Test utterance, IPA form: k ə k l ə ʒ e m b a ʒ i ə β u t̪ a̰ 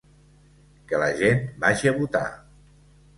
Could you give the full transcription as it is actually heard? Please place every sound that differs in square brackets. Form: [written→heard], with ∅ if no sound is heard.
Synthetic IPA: k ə [k→∅] l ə ʒ e [m→n] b a ʒ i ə β u t̪ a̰